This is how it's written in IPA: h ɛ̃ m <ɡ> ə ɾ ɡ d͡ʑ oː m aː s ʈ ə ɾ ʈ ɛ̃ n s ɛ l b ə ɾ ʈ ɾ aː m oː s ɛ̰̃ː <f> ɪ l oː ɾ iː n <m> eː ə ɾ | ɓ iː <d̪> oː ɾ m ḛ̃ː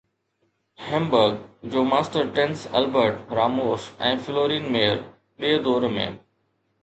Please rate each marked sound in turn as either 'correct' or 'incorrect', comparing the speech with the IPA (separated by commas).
incorrect, correct, correct, correct